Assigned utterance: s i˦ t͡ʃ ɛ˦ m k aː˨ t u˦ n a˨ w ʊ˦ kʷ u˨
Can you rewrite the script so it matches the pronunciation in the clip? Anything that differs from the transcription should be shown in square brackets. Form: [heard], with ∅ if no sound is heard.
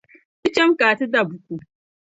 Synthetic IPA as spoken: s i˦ t͡ʃ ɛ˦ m k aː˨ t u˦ [d] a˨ [b] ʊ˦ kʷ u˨